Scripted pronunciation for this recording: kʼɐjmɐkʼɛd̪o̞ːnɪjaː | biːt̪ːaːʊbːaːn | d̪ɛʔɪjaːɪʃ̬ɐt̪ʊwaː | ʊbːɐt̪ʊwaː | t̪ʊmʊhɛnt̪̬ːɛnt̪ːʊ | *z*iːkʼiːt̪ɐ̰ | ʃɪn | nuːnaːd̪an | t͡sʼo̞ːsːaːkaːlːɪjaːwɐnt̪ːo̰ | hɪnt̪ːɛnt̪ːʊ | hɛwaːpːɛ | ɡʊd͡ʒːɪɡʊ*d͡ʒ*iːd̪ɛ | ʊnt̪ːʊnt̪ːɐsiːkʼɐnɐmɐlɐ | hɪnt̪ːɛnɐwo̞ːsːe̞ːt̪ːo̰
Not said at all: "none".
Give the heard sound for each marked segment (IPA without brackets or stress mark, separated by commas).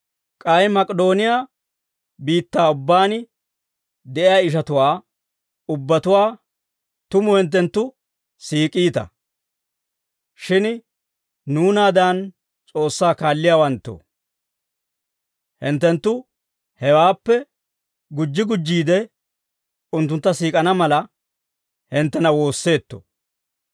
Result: s, d͡ʒː